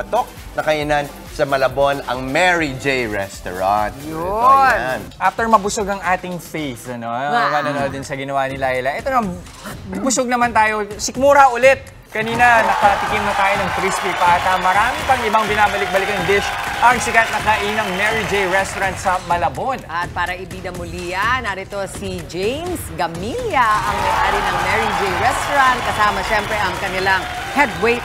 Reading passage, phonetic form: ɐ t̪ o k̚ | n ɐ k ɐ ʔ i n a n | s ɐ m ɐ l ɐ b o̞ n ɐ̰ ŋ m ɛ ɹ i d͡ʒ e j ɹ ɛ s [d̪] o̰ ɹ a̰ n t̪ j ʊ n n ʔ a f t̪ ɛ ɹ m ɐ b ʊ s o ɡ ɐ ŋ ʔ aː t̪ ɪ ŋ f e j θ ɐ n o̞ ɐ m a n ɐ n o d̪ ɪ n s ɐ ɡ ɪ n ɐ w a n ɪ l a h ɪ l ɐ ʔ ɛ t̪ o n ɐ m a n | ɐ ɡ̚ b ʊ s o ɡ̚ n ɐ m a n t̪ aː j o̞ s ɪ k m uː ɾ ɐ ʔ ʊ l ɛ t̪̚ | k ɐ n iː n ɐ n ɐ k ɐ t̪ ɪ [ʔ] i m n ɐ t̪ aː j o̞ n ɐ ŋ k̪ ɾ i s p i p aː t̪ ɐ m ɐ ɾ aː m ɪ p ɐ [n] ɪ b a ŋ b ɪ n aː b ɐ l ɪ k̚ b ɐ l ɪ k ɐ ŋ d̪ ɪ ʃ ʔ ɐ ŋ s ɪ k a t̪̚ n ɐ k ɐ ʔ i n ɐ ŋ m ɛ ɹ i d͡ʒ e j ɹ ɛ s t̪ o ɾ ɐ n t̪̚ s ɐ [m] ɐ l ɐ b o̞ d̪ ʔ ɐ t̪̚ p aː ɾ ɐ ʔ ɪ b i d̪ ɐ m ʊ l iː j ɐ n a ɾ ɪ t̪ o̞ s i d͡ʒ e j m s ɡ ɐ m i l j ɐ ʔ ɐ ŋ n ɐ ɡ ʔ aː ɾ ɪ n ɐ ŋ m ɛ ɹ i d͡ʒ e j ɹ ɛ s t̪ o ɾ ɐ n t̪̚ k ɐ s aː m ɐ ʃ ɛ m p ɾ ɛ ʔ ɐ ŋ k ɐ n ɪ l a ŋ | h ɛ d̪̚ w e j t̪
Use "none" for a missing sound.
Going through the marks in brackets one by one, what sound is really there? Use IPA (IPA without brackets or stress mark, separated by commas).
t̪, k, ŋ, m